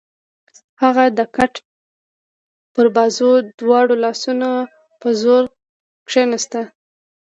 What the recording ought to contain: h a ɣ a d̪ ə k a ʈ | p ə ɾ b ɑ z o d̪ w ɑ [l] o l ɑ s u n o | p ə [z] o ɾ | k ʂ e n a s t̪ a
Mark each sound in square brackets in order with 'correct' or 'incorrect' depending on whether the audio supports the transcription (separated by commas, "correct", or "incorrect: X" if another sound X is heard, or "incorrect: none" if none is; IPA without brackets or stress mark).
incorrect: ɽ, correct